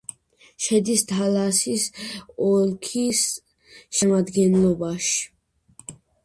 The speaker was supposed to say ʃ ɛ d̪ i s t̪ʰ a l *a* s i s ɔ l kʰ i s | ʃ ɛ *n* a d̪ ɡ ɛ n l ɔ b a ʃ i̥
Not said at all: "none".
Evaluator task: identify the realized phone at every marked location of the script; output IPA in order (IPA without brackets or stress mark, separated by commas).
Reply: a, m